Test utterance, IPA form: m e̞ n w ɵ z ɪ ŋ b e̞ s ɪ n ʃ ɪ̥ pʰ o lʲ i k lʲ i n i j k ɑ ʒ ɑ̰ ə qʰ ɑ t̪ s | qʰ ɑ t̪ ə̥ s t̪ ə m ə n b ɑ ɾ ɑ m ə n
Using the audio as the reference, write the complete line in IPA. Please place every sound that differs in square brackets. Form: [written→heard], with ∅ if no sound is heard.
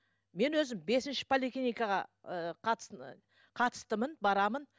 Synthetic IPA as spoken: m e̞ n w ɵ z ɪ [ŋ→m] b e̞ s ɪ n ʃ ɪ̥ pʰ o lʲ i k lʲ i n i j k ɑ [ʒ→ʁ] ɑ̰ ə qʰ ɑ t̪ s | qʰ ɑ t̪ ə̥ s t̪ ə m ə n b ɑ ɾ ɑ m ə n

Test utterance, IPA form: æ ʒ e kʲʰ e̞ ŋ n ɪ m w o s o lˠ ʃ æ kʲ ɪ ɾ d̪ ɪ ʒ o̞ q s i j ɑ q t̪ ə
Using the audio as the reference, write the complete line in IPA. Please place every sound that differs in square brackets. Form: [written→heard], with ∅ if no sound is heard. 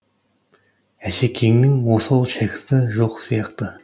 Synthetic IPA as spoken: æ [ʒ→ʃ] e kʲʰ e̞ ŋ n ɪ [m→ŋ] w o s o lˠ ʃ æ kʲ ɪ ɾ [d̪→t̪] ɪ ʒ o̞ q s i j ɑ q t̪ ə

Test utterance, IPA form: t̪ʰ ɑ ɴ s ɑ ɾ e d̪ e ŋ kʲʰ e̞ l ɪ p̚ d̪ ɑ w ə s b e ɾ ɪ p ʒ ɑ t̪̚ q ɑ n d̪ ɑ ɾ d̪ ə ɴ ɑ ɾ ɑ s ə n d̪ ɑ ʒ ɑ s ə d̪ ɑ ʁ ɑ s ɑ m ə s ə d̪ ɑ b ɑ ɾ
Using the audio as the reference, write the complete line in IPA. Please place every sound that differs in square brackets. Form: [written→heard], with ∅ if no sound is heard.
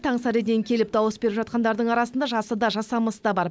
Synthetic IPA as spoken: t̪ʰ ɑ ɴ s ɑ ɾ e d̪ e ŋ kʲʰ e̞ l ɪ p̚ d̪ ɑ w ə s b e ɾ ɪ p ʒ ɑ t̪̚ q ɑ n d̪ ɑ ɾ d̪ ə ɴ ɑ ɾ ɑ s ə n d̪ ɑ ʒ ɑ s ə d̪ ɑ [ʁ→ʒ] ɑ s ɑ m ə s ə d̪ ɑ b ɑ ɾ

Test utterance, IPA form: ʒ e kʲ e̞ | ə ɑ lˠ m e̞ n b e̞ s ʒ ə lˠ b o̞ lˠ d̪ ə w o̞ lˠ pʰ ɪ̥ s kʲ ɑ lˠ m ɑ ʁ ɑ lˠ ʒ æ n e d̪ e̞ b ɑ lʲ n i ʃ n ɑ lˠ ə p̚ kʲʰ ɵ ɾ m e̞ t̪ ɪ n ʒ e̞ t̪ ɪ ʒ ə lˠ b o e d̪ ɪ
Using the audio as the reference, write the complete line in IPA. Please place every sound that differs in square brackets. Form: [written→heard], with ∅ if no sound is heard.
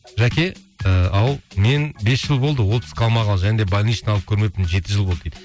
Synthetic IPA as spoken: ʒ [e→æ] kʲ e̞ | ə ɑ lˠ m e̞ n b e̞ s ʒ ə lˠ b o̞ lˠ d̪ ə w o̞ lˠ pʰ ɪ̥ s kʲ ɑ lˠ m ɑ ʁ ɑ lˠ ʒ æ n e d̪ e̞ b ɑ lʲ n i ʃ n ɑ lˠ ə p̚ kʲʰ ɵ ɾ m e̞ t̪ ɪ n ʒ e̞ t̪ ɪ ʒ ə lˠ b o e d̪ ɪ

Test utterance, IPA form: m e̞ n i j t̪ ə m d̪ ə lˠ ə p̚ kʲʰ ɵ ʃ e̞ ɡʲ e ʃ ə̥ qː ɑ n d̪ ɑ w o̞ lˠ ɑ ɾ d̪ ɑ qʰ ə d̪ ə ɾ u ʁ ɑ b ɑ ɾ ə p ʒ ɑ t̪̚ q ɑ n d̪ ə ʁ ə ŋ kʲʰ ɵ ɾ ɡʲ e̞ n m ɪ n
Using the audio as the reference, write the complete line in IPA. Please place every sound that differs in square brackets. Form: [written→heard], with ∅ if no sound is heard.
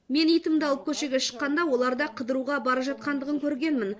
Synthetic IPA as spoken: m e̞ n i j t̪ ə m d̪ [ə→ɑ] lˠ ə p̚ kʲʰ ɵ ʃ e̞ ɡʲ e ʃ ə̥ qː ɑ n d̪ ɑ w o̞ lˠ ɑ ɾ d̪ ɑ qʰ ə d̪ ə ɾ u ʁ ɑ b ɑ ɾ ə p ʒ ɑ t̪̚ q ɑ n d̪ ə ʁ ə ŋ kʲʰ ɵ ɾ ɡʲ e̞ n m ɪ n

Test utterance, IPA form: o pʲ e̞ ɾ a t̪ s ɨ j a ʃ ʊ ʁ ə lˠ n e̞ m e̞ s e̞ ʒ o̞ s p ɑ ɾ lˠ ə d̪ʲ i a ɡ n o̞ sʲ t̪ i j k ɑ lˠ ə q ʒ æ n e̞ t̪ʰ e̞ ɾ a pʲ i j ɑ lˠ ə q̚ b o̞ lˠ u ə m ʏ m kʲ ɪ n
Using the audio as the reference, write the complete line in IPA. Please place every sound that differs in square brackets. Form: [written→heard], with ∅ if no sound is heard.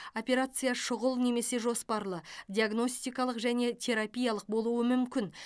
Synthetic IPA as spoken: o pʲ e̞ ɾ a t̪ s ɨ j a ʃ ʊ ʁ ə lˠ n e̞ m e̞ s e̞ ʒ o̞ s p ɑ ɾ lˠ ə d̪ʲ i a ɡ n o̞ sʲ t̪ i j k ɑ lˠ ə q ʒ æ n e̞ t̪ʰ e̞ ɾ a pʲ i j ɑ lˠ ə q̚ b o̞ lˠ u ə m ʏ m kʲ ɪ n

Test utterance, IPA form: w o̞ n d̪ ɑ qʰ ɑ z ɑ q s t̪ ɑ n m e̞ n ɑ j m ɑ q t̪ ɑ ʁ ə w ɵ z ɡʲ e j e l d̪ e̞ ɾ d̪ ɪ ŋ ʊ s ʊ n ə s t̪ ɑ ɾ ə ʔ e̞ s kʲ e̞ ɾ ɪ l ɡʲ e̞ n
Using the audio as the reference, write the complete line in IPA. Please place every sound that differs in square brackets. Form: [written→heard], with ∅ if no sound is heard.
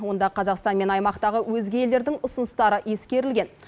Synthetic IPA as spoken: w o̞ n d̪ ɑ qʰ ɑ z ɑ q s t̪ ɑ n m e̞ n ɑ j m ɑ q t̪ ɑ ʁ ə w ɵ z ɡʲ e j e l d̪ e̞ ɾ d̪ ɪ ŋ ʊ s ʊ n ə s t̪ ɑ ɾ ə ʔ e̞ s kʲ e̞ ɾ ɪ l ɡʲ e̞ n

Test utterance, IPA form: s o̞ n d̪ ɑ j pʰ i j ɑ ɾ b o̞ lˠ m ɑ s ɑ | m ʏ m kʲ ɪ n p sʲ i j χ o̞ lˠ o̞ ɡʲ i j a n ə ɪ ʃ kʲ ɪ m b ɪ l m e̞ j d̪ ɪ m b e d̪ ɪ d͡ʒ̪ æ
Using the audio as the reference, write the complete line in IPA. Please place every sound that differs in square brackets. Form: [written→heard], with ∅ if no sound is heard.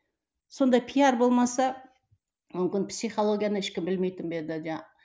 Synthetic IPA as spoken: s o̞ n d̪ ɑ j pʰ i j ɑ ɾ b o̞ lˠ m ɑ s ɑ | m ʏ m kʲ ɪ n p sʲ i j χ o̞ lˠ o̞ ɡʲ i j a n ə ɪ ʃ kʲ ɪ m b ɪ l m e̞ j [d̪→t̪] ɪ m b e d̪ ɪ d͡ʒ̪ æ

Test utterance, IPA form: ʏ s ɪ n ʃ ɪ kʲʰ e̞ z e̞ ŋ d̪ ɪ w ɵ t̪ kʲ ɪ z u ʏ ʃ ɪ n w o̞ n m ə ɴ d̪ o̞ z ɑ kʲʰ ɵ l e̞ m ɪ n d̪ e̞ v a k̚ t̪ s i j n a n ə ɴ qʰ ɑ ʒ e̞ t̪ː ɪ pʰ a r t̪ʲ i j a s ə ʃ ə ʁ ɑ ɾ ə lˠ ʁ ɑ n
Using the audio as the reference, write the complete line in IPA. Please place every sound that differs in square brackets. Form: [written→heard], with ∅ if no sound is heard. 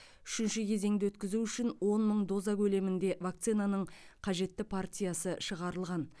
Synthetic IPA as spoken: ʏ [s→ʃ] ɪ n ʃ ɪ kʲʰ e̞ z e̞ ŋ d̪ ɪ w ɵ t̪ kʲ ɪ z u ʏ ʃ ɪ n w o̞ n m ə ɴ d̪ o̞ z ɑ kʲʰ ɵ l e̞ m ɪ n d̪ e̞ v a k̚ t̪ s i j n a n ə ɴ qʰ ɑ ʒ e̞ t̪ː ɪ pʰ a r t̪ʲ i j a s ə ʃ ə ʁ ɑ ɾ ə lˠ ʁ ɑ n

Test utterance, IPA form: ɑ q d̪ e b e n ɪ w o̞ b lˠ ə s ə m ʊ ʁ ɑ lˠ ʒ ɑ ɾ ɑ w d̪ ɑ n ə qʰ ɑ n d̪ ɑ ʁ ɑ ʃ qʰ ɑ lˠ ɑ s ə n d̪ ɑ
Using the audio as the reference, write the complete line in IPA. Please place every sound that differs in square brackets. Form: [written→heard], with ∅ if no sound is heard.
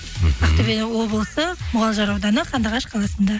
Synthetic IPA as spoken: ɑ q [d̪→t̪] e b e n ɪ w o̞ b lˠ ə s ə m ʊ ʁ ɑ lˠ ʒ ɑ ɾ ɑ w d̪ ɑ n ə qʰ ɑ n d̪ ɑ ʁ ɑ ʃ qʰ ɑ lˠ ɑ s ə n d̪ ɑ

